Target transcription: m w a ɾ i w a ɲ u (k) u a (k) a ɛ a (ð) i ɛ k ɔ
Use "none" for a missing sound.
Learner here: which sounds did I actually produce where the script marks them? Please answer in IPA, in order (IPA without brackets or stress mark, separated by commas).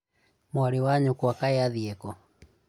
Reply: k, k, ð